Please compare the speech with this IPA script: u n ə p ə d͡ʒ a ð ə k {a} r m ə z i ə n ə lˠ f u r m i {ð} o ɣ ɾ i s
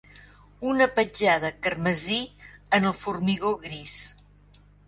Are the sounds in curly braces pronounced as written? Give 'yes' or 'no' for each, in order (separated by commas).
no, no